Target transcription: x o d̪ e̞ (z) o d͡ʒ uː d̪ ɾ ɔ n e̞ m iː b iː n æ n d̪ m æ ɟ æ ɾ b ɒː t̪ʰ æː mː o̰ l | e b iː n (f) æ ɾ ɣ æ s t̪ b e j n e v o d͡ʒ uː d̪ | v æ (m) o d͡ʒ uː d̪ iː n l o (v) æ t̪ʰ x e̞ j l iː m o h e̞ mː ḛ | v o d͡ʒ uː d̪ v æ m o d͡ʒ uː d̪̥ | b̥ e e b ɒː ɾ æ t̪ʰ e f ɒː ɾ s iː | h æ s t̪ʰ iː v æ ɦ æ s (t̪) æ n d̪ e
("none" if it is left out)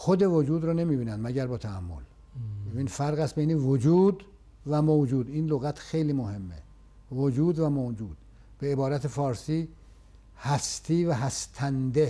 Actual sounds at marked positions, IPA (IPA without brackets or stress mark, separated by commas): v, f, m, ɣ, t̪ʰ